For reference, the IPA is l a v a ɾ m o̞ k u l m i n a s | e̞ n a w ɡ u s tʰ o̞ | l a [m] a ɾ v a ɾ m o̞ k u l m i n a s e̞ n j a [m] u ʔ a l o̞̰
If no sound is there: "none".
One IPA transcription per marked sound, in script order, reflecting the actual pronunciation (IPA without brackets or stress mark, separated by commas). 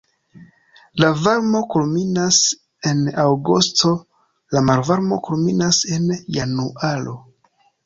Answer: m, n